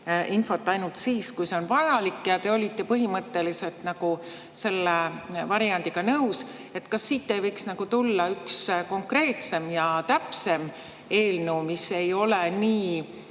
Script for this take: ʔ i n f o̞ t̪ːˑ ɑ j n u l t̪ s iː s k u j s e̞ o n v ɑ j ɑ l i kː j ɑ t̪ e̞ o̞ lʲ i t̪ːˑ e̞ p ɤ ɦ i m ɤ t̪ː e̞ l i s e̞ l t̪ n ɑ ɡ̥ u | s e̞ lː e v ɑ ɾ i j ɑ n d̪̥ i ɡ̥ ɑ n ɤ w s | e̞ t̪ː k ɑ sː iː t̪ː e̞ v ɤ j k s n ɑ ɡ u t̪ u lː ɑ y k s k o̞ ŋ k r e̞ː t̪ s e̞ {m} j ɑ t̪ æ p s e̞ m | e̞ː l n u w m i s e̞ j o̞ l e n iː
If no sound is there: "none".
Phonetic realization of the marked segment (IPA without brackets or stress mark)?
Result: m